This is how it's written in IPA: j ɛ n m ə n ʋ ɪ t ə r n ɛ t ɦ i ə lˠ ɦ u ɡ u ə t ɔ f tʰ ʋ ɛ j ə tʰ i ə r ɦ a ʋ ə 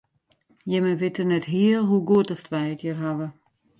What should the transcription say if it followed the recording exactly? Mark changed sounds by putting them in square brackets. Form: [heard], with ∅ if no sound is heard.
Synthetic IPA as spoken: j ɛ [∅] m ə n ʋ ɪ t ə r n ɛ t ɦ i ə lˠ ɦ u ɡ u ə t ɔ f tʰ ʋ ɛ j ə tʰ [j] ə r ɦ a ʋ ə